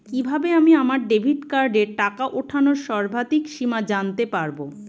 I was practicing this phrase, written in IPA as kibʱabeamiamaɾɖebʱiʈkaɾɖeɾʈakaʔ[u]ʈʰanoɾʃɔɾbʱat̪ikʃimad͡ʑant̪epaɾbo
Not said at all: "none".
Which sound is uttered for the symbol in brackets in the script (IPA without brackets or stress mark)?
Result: o